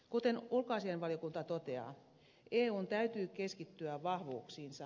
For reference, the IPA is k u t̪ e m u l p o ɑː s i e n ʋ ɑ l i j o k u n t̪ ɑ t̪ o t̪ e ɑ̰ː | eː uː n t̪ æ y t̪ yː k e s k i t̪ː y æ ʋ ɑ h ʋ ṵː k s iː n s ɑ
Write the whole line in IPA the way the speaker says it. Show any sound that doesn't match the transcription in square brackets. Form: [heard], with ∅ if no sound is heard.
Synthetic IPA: k u t̪ e [n] u l [k] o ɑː s i e n ʋ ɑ l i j o k u n t̪ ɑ t̪ o t̪ e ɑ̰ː | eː uː n t̪ æ y t̪ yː k e s k i t̪ː y æ ʋ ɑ h ʋ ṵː k s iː n s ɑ